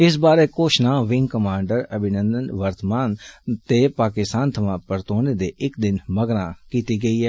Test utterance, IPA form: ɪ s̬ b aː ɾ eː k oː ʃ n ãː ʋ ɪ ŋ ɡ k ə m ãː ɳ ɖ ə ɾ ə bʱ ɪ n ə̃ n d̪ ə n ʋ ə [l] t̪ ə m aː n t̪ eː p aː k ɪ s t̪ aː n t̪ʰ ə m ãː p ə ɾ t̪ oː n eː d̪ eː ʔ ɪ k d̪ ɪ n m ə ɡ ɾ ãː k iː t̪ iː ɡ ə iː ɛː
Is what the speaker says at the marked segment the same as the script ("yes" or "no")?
no